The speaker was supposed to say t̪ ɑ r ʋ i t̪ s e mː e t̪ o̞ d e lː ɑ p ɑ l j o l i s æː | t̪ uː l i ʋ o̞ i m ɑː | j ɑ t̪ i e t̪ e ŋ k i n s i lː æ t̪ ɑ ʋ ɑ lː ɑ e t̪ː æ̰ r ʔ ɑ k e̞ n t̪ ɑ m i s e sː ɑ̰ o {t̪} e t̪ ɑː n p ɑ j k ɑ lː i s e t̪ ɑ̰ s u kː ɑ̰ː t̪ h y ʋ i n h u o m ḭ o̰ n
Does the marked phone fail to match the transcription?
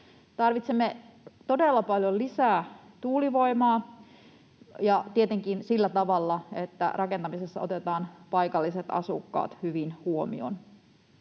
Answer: no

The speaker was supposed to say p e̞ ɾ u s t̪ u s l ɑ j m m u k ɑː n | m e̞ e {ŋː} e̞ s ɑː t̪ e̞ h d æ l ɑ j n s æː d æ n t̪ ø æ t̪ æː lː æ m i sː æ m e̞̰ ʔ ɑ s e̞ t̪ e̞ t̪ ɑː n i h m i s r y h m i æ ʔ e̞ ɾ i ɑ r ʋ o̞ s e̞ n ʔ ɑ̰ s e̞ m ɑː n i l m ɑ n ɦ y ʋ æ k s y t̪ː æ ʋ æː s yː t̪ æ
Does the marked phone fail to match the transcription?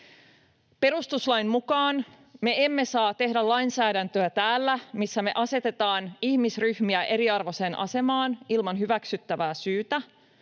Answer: yes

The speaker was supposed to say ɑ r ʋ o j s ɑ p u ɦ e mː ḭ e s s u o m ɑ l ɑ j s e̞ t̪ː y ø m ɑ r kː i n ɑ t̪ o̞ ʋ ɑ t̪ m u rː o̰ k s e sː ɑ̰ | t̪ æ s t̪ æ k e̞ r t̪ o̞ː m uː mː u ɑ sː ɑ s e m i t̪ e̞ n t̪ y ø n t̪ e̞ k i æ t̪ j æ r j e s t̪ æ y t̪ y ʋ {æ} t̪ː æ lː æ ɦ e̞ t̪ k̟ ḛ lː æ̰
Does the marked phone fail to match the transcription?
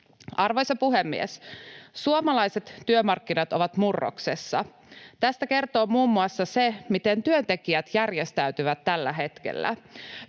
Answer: no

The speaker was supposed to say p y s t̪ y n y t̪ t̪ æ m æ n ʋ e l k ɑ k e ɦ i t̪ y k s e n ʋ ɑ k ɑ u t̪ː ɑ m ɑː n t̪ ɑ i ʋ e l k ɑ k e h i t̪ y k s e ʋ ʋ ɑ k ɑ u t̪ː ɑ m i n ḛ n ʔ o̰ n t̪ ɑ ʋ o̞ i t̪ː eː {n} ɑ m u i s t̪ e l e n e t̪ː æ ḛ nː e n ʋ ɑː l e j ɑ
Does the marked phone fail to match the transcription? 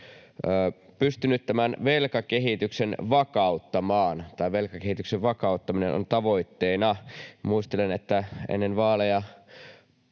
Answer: no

